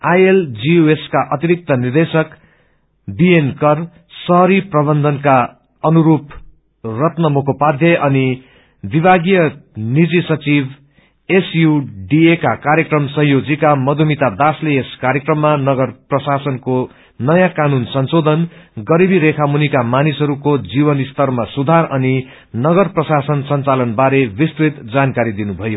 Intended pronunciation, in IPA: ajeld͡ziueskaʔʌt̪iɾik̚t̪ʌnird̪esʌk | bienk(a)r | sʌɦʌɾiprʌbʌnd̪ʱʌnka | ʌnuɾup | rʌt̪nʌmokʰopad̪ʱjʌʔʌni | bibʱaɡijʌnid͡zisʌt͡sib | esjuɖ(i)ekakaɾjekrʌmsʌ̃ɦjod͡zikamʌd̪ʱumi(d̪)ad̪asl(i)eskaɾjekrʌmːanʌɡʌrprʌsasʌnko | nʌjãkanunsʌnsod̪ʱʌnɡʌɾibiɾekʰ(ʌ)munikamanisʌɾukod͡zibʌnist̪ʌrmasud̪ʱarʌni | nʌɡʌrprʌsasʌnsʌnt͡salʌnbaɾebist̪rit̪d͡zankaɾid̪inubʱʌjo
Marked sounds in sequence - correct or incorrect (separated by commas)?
incorrect, correct, incorrect, incorrect, incorrect